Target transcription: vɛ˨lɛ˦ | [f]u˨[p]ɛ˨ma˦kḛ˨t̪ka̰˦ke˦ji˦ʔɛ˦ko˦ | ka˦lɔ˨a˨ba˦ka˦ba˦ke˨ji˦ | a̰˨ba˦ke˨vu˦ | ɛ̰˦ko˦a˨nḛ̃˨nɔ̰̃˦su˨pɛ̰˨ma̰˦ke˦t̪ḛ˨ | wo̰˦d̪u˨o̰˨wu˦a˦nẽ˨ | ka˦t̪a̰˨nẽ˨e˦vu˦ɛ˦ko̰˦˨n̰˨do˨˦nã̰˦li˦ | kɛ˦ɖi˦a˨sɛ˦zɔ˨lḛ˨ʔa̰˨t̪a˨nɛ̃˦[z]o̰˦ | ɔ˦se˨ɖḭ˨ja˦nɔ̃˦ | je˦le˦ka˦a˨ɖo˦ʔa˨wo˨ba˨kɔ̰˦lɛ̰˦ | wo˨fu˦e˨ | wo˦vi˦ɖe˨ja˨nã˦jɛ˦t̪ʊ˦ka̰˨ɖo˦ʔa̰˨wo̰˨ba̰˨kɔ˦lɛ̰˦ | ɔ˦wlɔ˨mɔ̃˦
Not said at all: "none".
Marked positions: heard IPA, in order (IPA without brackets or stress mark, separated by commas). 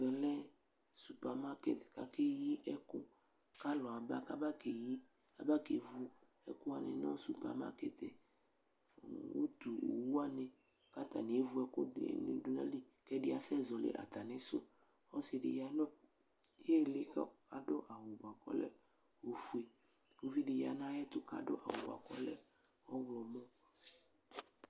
s, p, s